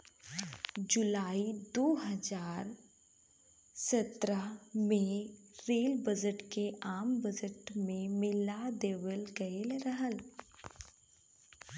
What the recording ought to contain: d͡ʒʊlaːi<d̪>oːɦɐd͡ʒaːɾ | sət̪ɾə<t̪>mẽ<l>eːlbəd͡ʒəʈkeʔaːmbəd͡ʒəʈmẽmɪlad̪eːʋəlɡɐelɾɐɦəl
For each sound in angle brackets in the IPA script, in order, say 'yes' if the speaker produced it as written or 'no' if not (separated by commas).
yes, no, no